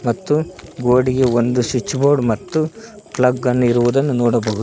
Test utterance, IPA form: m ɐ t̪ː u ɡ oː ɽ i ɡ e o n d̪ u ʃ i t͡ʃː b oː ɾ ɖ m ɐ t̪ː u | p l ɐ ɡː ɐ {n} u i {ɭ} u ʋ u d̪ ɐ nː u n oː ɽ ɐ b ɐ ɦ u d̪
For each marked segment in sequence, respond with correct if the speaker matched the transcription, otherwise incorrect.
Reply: incorrect, incorrect

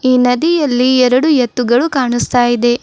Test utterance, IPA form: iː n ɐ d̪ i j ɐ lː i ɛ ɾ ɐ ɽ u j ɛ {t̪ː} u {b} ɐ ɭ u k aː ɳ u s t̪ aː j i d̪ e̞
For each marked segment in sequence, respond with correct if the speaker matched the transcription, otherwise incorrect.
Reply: correct, incorrect

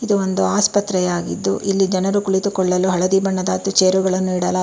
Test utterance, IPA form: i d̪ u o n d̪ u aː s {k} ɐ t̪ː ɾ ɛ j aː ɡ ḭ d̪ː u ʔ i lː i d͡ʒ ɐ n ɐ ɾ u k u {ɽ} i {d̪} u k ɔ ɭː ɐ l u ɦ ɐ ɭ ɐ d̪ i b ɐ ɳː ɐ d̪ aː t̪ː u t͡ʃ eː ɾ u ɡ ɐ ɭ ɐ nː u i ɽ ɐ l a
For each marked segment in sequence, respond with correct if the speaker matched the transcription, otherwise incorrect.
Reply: incorrect, incorrect, incorrect

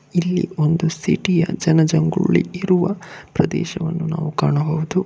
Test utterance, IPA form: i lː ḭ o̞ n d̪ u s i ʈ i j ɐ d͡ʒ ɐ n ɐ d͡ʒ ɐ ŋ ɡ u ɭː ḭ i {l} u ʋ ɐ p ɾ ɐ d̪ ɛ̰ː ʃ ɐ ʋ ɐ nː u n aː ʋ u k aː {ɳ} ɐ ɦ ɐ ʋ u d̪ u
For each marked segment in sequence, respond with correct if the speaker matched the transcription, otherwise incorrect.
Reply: incorrect, correct

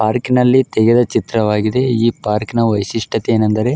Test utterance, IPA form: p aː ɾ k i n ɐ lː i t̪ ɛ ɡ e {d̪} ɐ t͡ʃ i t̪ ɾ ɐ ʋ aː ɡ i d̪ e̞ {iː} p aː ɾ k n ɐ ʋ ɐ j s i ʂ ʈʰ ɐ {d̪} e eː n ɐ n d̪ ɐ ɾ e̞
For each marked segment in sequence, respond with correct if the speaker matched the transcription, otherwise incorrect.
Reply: correct, correct, incorrect

